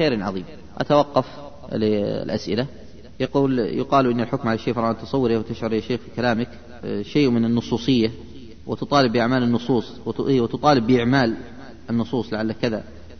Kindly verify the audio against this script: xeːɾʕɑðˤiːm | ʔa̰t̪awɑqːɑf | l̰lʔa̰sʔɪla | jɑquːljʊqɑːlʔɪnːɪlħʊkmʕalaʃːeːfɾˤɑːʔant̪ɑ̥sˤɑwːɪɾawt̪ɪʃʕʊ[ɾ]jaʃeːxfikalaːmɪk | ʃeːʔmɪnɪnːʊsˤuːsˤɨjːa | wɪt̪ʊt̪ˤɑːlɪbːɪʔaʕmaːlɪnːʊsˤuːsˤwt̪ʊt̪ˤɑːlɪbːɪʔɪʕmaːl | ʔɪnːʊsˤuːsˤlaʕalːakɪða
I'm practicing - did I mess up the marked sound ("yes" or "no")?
no